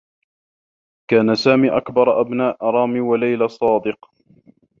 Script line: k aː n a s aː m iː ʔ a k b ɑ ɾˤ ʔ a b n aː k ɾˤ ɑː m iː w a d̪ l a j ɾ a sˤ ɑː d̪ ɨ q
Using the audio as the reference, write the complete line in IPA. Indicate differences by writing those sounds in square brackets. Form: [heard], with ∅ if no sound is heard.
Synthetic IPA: k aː n a s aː m iː ʔ a k b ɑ ɾˤ ʔ a b n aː [ʔ] ɾˤ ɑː m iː w a [∅] l a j [l] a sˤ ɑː d̪ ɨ q